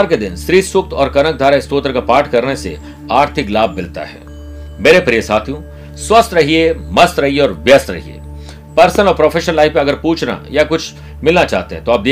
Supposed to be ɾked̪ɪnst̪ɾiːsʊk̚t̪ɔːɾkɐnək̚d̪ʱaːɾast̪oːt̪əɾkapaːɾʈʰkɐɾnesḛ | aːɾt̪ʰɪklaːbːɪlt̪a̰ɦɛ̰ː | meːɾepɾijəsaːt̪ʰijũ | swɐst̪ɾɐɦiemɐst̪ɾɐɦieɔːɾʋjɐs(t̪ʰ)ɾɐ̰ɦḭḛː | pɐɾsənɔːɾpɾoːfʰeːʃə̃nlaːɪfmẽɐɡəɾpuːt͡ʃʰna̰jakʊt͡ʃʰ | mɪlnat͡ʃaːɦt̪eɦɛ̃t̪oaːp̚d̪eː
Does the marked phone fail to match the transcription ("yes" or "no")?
yes